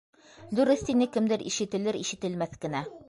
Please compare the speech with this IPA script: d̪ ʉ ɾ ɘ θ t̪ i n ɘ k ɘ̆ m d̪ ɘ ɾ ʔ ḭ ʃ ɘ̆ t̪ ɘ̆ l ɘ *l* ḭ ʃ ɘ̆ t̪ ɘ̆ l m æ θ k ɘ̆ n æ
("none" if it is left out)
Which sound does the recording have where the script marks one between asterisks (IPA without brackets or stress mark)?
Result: ɾ